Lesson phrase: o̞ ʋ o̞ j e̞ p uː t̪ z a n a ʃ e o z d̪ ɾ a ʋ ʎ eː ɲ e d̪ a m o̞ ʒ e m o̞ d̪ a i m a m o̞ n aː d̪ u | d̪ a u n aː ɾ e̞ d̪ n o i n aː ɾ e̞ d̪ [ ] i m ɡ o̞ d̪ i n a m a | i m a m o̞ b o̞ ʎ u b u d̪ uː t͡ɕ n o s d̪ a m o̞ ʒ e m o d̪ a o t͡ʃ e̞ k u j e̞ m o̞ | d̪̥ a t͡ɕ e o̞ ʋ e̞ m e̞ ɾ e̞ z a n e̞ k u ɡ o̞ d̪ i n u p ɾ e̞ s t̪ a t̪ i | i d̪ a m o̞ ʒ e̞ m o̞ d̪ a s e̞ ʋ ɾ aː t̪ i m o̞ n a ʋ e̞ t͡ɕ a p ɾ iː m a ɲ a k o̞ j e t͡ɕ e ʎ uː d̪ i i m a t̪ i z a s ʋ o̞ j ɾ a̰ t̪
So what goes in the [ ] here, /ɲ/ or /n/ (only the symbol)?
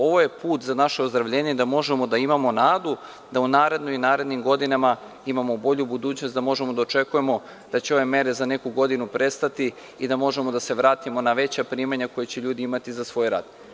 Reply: n